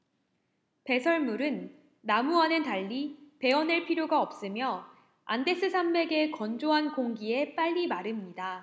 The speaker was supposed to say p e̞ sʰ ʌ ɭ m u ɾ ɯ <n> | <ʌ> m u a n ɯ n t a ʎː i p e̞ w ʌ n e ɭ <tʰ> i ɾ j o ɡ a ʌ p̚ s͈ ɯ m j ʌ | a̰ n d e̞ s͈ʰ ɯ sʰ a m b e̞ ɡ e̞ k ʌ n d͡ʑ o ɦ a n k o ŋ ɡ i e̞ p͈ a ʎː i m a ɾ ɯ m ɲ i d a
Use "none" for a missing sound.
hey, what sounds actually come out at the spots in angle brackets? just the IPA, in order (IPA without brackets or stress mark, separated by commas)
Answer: nː, a, pʰ